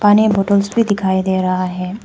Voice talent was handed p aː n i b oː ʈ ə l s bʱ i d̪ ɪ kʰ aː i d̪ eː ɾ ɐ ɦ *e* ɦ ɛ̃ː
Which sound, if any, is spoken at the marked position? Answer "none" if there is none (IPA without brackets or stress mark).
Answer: a